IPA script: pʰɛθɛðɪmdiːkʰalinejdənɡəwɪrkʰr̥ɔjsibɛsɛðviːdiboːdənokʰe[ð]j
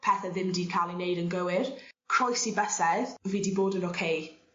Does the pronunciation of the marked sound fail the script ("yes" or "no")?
yes